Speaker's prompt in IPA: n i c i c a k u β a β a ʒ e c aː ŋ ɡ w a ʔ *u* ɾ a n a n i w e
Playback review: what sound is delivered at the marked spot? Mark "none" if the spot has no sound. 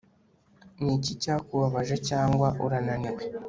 u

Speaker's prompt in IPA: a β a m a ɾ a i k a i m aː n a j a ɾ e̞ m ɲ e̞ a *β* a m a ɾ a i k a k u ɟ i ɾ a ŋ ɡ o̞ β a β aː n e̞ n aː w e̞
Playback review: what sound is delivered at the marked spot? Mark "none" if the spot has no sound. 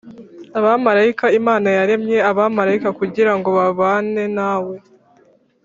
β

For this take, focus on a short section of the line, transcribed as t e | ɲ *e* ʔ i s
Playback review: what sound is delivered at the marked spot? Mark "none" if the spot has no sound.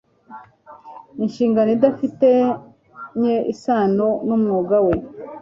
e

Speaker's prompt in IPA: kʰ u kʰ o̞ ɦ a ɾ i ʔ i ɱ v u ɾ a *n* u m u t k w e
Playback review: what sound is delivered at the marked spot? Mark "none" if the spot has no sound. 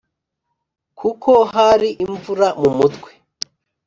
m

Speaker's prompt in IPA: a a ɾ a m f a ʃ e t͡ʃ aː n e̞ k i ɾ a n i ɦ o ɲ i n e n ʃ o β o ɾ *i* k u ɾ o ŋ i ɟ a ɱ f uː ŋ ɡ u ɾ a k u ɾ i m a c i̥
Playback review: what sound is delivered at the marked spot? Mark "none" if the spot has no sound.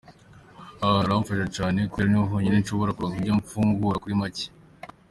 a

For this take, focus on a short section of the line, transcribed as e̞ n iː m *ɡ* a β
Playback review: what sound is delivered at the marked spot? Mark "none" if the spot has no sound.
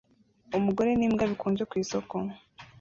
ɡ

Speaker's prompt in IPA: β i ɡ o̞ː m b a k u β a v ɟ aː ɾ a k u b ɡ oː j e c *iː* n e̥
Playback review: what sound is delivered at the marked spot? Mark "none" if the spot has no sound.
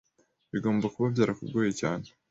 aː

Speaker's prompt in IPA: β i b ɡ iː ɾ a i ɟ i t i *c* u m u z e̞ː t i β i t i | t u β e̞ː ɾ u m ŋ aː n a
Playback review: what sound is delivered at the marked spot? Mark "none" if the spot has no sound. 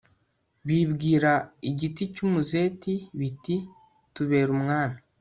c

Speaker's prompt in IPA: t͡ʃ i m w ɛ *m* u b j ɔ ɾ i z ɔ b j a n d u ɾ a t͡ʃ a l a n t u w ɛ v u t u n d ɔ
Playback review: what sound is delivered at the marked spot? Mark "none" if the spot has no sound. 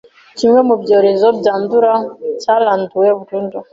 m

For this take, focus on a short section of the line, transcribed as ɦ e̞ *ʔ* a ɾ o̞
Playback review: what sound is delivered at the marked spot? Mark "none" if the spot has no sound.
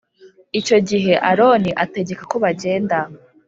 ʔ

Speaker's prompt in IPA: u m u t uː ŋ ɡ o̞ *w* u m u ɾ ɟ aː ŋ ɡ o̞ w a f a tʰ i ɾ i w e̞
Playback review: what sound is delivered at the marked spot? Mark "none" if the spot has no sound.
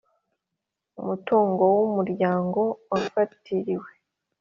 w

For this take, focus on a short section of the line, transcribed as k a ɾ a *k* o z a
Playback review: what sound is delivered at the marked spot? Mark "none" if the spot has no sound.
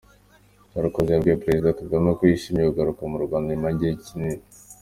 k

